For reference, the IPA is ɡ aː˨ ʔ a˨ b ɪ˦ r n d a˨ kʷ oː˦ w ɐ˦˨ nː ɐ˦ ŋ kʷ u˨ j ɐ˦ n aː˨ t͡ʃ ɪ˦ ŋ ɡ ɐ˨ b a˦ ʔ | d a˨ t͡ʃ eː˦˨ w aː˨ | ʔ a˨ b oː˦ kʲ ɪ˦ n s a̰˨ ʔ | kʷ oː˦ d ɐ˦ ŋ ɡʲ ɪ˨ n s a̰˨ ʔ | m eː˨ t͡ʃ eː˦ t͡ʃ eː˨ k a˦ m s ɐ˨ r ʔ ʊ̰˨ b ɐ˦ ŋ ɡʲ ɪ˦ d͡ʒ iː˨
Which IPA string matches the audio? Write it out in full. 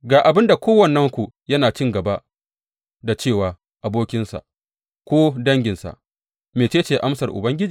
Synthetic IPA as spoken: ɡ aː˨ ʔ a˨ b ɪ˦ n d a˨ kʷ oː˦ w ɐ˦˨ nː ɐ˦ ŋ kʷ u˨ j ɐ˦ n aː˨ t͡ʃ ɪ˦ ŋ ɡ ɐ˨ b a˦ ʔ | d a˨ t͡ʃ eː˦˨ w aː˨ | ʔ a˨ b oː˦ kʲ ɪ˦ n s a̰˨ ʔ | kʷ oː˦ d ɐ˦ ŋ ɡʲ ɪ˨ n s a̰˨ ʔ | m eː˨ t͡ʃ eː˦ t͡ʃ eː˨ ʔ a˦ m s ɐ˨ r ʔ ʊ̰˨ b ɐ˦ ŋ ɡʲ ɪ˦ d͡ʒ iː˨

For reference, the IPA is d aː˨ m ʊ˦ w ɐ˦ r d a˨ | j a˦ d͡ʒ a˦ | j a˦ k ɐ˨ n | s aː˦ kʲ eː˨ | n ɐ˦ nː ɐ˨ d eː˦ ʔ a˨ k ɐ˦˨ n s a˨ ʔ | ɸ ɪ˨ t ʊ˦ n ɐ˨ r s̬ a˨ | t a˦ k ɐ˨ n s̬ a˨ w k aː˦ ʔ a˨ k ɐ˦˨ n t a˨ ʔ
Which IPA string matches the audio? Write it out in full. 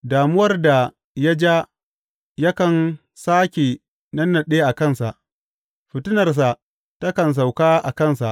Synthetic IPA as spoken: d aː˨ m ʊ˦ w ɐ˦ r d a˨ | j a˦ d͡ʒ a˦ | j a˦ k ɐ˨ n | s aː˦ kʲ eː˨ | n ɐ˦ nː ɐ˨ ɗ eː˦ ʔ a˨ k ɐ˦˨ n s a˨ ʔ | ɸ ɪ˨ t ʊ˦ n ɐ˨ r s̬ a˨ | t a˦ k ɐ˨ n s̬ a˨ w k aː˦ ʔ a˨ k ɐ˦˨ n s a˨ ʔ

